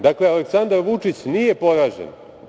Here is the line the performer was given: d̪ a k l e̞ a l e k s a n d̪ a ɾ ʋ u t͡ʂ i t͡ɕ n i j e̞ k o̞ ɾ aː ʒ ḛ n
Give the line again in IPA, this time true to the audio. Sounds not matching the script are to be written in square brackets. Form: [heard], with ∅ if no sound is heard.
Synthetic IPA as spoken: d̪ a k l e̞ a l e k s a n d̪ a ɾ ʋ u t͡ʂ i t͡ɕ n i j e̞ [p] o̞ ɾ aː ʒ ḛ n